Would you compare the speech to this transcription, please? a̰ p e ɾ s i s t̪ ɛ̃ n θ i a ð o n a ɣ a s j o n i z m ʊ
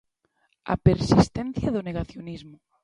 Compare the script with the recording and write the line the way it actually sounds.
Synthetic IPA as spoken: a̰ p e ɾ s i s t̪ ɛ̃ n θ j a ð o n e ɣ a θ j o n i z m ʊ